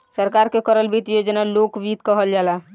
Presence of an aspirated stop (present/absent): absent